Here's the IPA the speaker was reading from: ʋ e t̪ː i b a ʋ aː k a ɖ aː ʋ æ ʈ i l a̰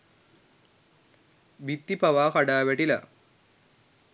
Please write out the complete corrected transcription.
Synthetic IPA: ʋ i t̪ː i p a ʋ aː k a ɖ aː ʋ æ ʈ i l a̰